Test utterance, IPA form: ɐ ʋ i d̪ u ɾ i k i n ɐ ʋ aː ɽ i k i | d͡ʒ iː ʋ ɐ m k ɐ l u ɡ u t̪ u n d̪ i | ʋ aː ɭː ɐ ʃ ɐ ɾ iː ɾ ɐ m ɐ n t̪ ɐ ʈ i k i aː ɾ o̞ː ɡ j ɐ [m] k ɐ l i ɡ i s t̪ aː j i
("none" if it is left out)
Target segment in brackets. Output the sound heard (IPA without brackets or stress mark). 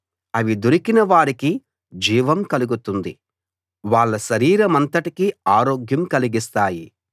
m